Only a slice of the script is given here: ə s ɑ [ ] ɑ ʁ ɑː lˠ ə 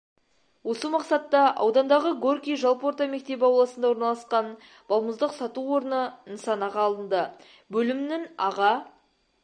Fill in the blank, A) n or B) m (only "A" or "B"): A